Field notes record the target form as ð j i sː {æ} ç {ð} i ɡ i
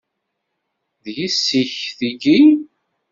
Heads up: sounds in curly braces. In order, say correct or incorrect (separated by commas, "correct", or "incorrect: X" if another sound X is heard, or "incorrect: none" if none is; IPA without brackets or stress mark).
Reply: incorrect: i, incorrect: θ